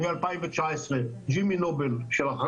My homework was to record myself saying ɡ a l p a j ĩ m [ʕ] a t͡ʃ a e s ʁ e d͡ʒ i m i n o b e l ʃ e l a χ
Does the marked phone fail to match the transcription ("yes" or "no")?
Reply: yes